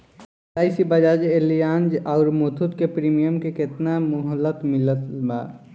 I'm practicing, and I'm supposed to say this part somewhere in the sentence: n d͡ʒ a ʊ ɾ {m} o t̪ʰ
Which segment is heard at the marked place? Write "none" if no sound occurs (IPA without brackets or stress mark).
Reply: m